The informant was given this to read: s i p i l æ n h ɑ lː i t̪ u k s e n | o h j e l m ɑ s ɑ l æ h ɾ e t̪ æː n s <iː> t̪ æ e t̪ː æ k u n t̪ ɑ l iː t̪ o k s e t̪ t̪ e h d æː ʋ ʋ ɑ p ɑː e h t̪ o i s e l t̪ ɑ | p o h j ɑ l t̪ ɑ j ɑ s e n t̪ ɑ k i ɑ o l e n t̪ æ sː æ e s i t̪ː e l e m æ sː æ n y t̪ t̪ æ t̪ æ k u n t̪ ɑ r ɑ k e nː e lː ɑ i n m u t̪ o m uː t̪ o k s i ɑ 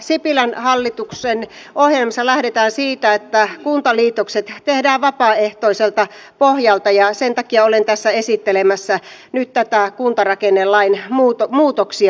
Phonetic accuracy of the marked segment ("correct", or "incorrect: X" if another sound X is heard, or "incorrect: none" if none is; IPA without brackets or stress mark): correct